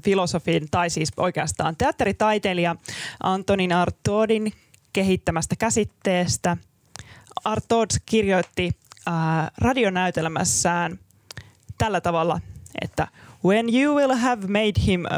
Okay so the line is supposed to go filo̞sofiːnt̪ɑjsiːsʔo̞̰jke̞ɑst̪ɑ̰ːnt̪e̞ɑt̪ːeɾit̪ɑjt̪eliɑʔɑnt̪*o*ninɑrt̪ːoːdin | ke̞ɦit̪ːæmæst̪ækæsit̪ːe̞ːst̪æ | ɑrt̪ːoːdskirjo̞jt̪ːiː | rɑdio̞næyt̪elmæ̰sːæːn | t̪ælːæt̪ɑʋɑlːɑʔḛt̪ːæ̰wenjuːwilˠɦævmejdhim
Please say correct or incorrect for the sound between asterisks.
correct